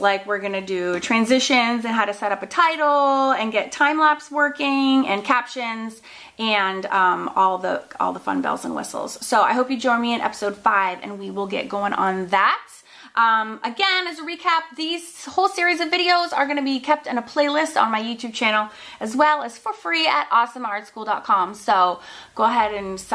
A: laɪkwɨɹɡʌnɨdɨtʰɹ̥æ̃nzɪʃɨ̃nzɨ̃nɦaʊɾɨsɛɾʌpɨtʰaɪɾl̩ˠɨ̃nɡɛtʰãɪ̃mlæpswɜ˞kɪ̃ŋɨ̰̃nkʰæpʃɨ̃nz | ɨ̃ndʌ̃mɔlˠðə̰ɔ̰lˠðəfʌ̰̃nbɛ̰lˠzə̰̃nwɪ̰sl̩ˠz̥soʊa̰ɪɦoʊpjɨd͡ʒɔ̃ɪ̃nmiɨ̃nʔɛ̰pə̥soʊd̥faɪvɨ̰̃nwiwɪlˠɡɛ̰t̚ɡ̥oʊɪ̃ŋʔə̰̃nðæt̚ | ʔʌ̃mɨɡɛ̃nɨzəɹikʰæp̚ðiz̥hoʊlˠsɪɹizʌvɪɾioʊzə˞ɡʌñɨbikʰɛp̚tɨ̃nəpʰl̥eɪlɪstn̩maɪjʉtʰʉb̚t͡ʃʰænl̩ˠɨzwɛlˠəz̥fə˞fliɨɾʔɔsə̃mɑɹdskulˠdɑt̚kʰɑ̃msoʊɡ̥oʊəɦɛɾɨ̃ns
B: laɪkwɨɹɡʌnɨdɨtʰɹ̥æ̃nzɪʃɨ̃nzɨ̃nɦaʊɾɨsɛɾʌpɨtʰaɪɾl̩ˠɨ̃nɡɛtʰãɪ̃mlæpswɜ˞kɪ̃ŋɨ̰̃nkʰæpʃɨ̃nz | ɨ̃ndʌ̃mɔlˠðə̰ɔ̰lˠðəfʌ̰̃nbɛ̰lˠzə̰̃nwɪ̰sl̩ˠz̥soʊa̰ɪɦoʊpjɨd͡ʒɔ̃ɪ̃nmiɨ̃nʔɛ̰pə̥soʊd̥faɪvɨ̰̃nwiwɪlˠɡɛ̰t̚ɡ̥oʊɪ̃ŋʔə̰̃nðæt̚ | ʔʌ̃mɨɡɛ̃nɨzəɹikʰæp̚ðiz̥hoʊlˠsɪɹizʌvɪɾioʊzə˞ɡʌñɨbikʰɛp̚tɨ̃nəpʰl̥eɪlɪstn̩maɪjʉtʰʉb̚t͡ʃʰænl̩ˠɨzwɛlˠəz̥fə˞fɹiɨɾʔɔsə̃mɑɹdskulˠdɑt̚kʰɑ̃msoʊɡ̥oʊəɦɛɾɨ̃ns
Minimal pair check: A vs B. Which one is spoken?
B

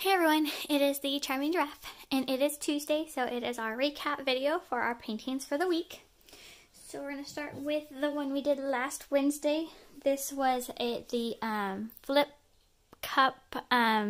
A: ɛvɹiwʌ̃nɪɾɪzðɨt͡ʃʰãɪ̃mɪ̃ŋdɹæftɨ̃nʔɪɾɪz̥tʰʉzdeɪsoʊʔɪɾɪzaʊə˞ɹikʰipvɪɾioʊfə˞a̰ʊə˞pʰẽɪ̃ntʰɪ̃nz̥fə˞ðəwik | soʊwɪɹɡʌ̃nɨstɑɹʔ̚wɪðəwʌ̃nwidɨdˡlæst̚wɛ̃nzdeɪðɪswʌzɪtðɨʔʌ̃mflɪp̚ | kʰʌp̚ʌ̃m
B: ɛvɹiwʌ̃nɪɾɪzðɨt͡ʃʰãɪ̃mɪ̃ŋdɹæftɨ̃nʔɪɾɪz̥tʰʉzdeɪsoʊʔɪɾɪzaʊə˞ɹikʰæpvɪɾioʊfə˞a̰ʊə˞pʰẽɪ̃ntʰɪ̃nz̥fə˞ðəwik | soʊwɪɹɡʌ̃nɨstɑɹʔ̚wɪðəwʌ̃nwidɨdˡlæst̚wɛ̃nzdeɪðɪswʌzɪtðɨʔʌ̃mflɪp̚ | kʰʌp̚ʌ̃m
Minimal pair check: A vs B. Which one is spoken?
B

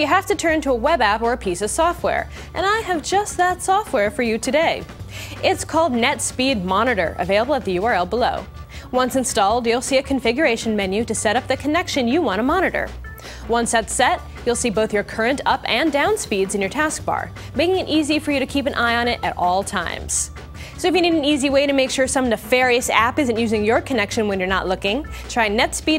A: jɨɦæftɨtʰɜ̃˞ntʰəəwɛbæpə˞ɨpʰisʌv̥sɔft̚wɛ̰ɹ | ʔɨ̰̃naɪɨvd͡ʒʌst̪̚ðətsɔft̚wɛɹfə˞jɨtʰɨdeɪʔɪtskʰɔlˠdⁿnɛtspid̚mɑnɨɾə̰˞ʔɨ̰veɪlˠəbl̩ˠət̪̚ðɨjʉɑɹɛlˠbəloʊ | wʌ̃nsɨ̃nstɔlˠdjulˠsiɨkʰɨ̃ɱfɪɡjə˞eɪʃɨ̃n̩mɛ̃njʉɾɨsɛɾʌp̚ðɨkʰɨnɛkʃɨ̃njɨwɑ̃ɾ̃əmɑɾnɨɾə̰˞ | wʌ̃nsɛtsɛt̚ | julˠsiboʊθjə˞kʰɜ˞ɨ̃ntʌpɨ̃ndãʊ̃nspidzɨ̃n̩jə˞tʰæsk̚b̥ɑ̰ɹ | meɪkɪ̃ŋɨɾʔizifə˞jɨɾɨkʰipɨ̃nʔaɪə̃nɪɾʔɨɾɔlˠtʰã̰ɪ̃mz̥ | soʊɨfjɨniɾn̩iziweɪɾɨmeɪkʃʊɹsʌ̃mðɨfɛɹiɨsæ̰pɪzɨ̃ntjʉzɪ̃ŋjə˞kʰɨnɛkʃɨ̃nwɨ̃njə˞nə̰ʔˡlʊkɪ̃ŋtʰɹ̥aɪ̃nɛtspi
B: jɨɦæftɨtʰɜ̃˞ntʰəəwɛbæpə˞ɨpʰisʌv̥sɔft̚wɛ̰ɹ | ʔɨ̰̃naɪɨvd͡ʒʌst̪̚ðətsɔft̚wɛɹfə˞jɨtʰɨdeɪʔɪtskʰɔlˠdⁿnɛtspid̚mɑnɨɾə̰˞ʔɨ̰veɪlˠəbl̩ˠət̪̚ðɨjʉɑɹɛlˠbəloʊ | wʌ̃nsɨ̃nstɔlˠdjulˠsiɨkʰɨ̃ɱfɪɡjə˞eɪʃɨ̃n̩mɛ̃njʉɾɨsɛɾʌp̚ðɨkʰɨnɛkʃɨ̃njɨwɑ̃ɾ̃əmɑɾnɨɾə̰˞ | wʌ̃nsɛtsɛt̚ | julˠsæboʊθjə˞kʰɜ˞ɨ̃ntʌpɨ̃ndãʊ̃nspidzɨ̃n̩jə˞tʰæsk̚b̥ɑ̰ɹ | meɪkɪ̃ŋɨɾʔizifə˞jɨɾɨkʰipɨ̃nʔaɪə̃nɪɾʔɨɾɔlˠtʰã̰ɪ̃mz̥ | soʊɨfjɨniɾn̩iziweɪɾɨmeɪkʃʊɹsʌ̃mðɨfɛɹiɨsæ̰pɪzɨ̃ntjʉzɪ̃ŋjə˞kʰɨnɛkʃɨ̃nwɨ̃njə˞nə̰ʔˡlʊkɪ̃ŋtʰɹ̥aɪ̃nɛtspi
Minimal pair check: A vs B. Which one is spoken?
A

